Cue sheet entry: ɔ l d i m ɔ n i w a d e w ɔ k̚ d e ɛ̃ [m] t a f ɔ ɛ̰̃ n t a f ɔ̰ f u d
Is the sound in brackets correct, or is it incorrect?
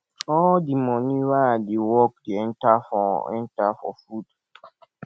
incorrect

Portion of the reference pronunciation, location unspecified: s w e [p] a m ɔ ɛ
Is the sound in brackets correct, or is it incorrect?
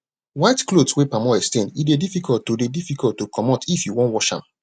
correct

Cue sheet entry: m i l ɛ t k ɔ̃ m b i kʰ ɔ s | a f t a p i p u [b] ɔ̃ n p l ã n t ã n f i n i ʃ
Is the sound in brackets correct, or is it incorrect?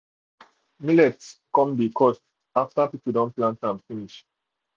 incorrect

